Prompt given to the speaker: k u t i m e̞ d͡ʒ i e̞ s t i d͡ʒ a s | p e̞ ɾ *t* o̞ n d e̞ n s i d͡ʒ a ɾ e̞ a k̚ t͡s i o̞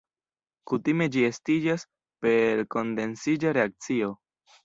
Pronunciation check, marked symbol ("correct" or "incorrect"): incorrect